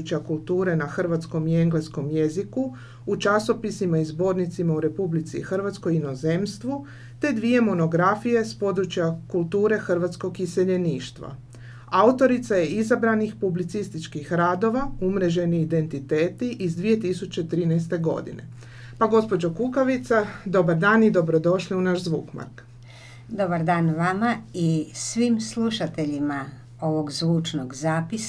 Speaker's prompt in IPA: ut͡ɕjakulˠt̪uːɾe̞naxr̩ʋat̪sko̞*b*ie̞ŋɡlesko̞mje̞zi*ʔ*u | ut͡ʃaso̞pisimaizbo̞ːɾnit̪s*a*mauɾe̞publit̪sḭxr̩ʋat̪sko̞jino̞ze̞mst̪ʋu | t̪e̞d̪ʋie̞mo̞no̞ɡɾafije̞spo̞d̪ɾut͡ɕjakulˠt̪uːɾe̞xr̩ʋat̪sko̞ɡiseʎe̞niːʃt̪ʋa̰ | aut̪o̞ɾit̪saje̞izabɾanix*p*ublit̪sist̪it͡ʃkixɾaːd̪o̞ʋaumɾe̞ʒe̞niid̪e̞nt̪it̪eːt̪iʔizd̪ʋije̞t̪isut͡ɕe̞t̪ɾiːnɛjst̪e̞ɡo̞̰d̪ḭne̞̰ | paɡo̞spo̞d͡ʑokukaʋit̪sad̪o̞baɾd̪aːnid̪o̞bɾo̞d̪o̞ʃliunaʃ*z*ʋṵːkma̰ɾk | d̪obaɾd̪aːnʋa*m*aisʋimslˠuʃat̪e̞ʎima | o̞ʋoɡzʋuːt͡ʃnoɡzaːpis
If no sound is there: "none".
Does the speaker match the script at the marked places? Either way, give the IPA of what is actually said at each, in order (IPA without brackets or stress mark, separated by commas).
m, k, i, p, z, m